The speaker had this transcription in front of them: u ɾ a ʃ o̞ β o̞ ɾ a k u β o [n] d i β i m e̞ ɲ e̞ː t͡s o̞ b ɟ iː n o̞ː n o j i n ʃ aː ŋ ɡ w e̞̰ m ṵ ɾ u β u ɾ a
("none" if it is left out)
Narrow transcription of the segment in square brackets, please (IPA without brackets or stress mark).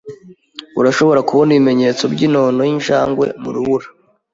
n